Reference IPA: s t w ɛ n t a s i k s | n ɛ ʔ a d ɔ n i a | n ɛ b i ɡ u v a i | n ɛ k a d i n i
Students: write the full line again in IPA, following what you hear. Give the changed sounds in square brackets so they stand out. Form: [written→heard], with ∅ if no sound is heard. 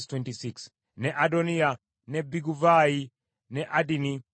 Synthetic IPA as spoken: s t w ɛ n t [a→i] s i k s | n ɛ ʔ a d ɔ n i a | n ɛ b i ɡ u v a i | n ɛ [k→ʔ] a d i n i